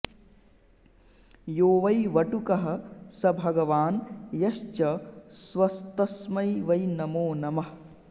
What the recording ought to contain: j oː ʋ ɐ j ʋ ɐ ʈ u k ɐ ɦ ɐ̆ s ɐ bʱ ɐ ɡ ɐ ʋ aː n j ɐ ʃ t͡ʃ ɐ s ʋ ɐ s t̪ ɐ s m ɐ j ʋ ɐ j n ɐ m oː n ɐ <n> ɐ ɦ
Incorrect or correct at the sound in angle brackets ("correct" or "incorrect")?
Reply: incorrect